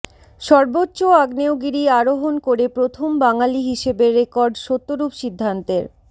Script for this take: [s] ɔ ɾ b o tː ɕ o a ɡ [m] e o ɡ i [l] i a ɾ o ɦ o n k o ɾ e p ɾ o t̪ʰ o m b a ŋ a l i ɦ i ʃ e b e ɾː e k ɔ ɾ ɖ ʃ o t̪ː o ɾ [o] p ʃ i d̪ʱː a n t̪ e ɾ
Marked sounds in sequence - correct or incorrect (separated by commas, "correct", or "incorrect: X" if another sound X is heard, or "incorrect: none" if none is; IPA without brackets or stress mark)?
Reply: incorrect: ʃ, incorrect: n, incorrect: ɾ, incorrect: u